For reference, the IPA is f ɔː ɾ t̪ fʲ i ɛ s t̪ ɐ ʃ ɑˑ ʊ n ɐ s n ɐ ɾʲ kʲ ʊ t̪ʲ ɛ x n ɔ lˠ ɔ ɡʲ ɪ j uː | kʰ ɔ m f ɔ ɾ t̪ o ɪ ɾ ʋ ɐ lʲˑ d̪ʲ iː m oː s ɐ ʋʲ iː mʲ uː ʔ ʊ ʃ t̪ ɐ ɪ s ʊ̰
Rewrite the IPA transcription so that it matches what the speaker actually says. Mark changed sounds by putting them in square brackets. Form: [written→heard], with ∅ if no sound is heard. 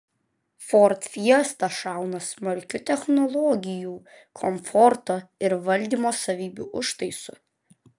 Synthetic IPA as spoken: f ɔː ɾ t̪ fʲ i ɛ s t̪ ɐ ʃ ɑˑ ʊ n ɐ s [n→m] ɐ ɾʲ kʲ ʊ t̪ʲ ɛ x n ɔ lˠ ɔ ɡʲ ɪ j uː | kʰ ɔ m f ɔ ɾ t̪ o ɪ ɾ ʋ ɐ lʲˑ d̪ʲ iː m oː s ɐ ʋʲ iː [mʲ→bʲ] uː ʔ ʊ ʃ t̪ ɐ ɪ s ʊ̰